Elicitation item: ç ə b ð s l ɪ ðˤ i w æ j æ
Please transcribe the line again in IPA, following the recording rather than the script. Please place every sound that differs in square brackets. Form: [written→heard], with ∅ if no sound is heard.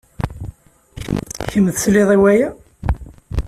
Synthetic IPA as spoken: ç ə [b→m] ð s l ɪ ðˤ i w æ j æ